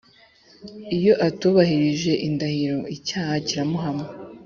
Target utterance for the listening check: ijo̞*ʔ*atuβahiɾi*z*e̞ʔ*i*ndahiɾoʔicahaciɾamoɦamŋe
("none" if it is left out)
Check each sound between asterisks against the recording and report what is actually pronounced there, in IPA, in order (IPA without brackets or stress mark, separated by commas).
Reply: ʔ, ʒ, i